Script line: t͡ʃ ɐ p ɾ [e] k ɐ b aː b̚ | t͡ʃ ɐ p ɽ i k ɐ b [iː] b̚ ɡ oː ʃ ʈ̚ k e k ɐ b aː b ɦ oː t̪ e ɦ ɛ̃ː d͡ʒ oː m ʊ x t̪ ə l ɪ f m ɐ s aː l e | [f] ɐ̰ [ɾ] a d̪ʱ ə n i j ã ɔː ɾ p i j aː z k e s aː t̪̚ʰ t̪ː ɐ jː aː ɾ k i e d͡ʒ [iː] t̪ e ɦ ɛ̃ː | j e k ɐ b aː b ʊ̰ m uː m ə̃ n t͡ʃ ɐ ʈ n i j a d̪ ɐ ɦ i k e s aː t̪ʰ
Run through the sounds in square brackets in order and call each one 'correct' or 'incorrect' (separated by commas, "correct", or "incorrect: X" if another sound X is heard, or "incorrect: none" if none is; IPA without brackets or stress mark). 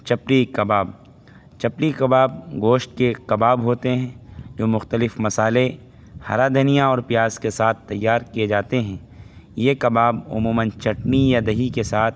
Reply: incorrect: i, incorrect: aː, incorrect: h, correct, incorrect: aː